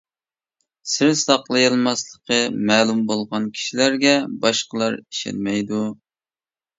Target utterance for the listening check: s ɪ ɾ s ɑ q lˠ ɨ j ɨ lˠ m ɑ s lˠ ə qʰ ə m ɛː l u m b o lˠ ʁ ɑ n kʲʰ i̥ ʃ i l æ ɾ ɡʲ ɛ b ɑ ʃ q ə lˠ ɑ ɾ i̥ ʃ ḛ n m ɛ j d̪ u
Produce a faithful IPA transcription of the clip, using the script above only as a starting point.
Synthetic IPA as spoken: s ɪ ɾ s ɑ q lˠ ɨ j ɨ lˠ m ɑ s lˠ ə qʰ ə m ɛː l u m b o lˠ ʁ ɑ n kʲʰ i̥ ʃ i l æ ɾ ɡʲ ɛ b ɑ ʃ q ə lˠ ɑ ɾ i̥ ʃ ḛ n m ɛ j d̪ u